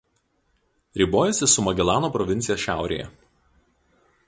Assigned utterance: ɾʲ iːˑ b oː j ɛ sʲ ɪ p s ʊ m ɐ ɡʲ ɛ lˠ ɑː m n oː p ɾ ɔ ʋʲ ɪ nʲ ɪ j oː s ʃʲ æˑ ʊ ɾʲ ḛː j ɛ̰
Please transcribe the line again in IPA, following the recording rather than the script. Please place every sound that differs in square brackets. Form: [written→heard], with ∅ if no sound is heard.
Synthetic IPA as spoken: ɾʲ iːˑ b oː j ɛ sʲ ɪ [p→∅] s ʊ m ɐ ɡʲ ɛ lˠ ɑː [m→∅] n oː p ɾ ɔ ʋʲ ɪ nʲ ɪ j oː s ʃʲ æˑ ʊ ɾʲ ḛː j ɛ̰